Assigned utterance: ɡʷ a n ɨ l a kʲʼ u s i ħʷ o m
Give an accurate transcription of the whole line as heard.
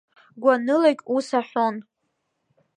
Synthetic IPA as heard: ɡʷ a n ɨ l a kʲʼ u s a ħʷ o n